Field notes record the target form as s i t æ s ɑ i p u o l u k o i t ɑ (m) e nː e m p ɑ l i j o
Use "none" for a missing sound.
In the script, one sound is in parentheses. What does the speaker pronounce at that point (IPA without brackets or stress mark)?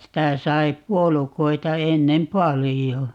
none